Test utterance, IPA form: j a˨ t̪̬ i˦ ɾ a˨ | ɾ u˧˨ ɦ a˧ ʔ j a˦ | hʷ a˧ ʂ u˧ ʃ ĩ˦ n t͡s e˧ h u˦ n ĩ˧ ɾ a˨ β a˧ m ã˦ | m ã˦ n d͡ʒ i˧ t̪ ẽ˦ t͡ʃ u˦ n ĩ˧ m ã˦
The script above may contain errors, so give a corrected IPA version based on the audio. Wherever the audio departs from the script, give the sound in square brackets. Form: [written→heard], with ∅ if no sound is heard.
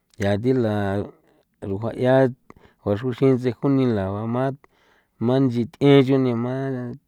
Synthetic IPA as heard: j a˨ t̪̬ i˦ [ɾ→l] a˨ | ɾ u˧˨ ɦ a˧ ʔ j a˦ | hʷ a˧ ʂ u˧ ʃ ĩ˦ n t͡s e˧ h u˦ n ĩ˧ [ɾ→l] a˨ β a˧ m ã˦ | m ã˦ n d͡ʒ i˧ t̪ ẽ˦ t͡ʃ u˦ n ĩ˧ m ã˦